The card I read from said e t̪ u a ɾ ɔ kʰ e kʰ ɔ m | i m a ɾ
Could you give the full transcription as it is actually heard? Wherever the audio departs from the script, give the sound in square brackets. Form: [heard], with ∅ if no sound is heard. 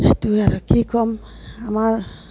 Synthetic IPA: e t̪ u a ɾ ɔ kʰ [i] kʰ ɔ m | [a] m a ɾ